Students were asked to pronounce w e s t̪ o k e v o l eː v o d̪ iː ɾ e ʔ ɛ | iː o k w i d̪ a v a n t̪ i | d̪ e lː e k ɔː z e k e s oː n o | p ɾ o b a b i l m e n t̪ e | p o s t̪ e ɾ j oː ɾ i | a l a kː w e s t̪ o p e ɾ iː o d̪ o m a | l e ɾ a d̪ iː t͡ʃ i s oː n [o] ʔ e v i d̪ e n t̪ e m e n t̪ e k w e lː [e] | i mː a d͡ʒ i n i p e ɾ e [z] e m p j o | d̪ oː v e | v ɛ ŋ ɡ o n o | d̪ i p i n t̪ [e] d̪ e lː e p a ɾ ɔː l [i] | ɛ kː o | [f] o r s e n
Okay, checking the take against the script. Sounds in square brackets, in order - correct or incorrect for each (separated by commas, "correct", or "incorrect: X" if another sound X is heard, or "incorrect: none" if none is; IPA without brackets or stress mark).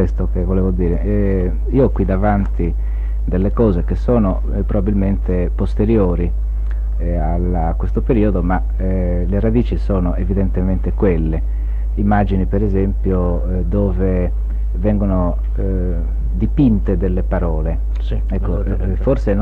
correct, correct, correct, correct, incorrect: e, correct